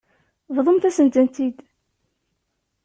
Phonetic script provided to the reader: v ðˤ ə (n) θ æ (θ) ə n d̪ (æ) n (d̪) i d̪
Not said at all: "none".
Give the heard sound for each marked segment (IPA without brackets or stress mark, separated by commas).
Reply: m, s, æ, t̪